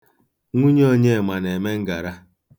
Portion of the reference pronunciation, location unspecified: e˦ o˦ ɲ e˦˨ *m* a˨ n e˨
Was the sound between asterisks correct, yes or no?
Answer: yes